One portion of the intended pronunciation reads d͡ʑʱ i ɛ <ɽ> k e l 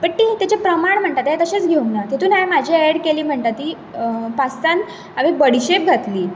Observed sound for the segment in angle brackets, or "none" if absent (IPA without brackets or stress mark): ɽ